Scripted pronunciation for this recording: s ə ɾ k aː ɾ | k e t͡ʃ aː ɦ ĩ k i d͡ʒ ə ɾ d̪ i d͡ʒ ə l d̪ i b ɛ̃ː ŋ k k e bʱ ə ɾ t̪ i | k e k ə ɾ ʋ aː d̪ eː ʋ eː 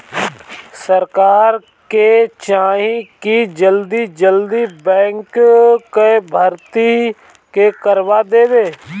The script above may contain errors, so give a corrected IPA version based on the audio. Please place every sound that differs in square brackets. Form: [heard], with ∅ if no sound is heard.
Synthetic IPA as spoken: s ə ɾ k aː ɾ | k e t͡ʃ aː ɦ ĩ k i d͡ʒ ə [l] d̪ i d͡ʒ ə l d̪ i b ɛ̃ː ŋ k k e bʱ ə ɾ t̪ i | k e k ə ɾ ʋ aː d̪ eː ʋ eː